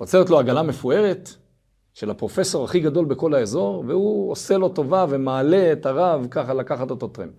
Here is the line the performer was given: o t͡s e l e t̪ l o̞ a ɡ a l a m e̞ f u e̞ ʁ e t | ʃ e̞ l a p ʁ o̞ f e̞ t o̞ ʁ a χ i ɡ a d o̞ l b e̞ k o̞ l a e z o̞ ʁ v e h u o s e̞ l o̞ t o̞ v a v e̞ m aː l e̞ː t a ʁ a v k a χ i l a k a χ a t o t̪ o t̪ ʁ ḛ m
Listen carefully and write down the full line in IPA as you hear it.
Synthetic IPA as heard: o t͡s e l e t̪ l o̞ a ɡ a l a m e̞ f u e̞ ʁ e t | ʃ e̞ l a p ʁ o̞ f e̞ s o̞ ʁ a χ i ɡ a d o̞ l b e̞ k o̞ l a e z o̞ ʁ v e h u o s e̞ l o̞ t o̞ v a v e̞ m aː l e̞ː t a ʁ a v k a χ a l a k a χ a t o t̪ o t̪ ʁ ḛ m